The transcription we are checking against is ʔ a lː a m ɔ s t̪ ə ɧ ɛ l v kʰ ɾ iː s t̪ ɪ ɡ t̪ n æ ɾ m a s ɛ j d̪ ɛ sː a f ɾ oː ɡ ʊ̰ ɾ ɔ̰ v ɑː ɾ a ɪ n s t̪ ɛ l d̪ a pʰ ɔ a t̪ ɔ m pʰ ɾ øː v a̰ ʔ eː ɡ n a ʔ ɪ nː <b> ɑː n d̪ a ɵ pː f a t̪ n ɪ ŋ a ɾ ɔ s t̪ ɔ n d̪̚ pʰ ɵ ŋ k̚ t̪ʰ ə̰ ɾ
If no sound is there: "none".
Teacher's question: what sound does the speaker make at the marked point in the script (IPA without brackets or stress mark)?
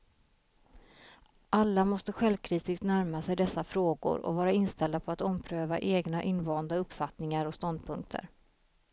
v